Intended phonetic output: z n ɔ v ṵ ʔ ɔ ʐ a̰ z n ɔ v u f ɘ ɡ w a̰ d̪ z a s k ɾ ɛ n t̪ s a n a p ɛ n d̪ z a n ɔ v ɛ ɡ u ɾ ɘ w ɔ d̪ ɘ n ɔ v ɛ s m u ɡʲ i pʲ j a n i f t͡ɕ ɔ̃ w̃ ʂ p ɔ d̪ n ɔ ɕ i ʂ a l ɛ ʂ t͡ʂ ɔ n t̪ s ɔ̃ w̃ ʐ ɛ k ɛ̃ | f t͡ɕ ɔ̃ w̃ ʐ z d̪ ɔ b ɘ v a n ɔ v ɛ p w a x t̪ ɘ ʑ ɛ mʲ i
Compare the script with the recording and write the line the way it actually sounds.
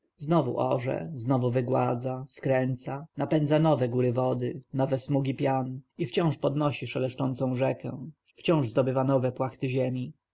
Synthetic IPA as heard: z n ɔ v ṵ ʔ ɔ ʐ ɛ̰ z n ɔ v u v ɘ ɡ w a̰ d̪ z a s k ɾ ɛ n t̪ s a n a p ɛ n d̪ z a n ɔ v ɛ ɡ u ɾ ɘ v ɔ d̪ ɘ n ɔ v ɛ s m u ɡʲ i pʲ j a n i f t͡ɕ ɔ̃ w̃ ʂ p ɔ d̪ n ɔ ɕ i ʂ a l ɛ ʂ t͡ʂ ɔ n t̪ s ɔ̃ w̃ ʐ ɛ k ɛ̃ | f t͡ɕ ɔ̃ w̃ ʐ z d̪ ɔ b ɘ v a n ɔ v ɛ p w a x t̪ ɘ ʑ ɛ mʲ i